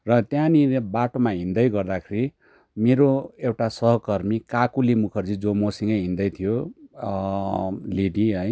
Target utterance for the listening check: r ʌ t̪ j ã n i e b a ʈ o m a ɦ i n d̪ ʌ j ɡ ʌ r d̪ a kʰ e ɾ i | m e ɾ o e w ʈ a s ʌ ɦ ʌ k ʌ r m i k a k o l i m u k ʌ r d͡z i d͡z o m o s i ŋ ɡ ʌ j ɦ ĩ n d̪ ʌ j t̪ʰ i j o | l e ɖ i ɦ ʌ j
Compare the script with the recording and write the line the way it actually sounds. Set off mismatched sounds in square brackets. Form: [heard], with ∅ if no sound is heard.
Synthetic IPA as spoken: r ʌ t̪ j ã n i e b a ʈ o m a ɦ i n d̪ ʌ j ɡ ʌ r d̪ a kʰ e ɾ i | m e ɾ o e w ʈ a s ʌ ɦ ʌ k ʌ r m i k a k [u] l i m u [kʰ] ʌ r d͡z i d͡z o m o s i ŋ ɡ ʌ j ɦ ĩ n d̪ ʌ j t̪ʰ i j o | l e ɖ i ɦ ʌ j